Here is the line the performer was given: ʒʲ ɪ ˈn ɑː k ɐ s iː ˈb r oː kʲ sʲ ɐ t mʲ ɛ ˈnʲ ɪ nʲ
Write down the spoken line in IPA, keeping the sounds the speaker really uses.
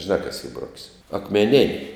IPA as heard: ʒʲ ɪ ˈn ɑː k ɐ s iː ˈb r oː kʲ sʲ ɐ k mʲ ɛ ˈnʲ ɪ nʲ